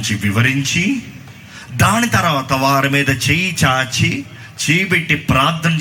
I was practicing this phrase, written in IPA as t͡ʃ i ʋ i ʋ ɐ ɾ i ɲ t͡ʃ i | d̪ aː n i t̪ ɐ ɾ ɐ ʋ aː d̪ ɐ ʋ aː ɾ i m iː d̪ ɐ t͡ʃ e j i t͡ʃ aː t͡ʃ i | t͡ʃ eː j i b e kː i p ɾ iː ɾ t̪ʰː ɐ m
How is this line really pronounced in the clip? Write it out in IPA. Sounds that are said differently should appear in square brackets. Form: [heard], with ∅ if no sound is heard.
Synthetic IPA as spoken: t͡ʃ i ʋ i ʋ ɐ ɾ i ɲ t͡ʃ i | d̪ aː n i t̪ ɐ ɾ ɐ ʋ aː [t̪] ɐ ʋ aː ɾ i m iː d̪ ɐ t͡ʃ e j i t͡ʃ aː t͡ʃ i | t͡ʃ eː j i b e [ʈː] i p ɾ [aː] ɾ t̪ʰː ɐ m